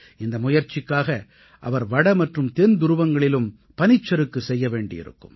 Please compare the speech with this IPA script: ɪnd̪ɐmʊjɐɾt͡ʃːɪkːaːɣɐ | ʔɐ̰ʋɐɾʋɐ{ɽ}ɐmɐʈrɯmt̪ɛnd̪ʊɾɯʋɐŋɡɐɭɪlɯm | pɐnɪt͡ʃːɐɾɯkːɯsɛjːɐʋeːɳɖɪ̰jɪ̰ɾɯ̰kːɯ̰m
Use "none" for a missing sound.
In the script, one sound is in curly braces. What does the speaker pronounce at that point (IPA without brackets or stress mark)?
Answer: ɽ